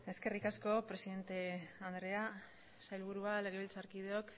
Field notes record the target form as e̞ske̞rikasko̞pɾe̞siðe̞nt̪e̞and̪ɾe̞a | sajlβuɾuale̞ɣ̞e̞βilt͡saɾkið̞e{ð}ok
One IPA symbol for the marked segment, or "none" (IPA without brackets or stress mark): none